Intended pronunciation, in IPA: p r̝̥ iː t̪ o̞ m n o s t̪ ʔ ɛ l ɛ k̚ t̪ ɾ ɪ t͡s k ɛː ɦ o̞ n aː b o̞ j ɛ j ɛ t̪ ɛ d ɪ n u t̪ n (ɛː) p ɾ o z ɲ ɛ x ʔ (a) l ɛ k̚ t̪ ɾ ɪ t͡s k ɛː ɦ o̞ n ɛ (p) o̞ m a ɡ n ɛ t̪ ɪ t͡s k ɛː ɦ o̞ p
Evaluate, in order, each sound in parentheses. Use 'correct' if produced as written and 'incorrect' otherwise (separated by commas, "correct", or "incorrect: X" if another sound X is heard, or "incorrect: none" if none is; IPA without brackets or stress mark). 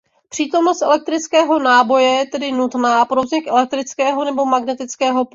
incorrect: aː, incorrect: ɛ, incorrect: b